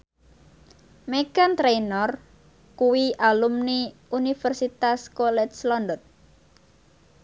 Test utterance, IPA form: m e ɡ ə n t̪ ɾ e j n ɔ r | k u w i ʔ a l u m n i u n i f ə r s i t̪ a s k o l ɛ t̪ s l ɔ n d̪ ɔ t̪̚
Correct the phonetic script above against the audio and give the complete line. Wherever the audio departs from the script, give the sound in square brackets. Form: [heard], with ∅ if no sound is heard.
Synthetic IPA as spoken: m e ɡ [a] n t̪ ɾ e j n ɔ r | k u w i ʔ a l u m n i u n i f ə r s i t̪ a s k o l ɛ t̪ s l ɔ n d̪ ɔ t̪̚